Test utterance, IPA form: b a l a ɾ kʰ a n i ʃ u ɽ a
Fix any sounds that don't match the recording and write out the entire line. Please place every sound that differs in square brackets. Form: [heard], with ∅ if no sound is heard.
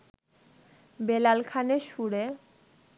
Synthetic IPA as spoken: b [e] l a [l] kʰ a n [e] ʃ u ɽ [e]

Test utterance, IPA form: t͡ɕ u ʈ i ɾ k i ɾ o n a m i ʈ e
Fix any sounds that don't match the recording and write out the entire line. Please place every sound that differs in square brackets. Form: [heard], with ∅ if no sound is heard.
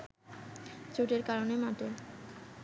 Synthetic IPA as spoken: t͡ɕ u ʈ [e] ɾ k [a] ɾ o n [e] m [a] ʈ e

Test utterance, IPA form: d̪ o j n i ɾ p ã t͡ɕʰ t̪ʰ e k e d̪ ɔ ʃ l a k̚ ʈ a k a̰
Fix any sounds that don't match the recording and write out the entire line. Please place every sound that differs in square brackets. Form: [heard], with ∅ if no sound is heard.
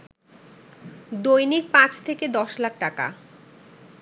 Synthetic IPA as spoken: d̪ o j n i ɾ p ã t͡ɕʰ t̪ʰ e k e d̪ ɔ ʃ l a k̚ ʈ a k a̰

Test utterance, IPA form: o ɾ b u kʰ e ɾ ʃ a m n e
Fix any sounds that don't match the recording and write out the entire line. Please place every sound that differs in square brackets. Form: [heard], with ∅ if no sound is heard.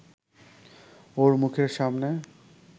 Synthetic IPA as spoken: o ɾ [m] u kʰ e ɾ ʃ a m n e

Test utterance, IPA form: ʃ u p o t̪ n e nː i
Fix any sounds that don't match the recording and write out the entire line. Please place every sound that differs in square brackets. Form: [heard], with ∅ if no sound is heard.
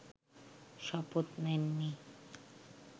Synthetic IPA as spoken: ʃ [ɔ] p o t̪ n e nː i

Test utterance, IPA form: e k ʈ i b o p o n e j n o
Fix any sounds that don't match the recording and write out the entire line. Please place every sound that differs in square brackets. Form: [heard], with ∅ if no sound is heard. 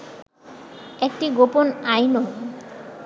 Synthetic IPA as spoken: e k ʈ i [ɡ] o p o n [a] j n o

